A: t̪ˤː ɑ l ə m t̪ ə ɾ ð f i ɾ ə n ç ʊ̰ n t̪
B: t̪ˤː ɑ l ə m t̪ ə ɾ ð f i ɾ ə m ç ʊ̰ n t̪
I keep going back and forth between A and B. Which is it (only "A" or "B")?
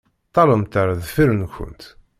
A